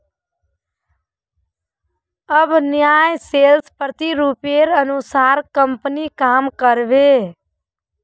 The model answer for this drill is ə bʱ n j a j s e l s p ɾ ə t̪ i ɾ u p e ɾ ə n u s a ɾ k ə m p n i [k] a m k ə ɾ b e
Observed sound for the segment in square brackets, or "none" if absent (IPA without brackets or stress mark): k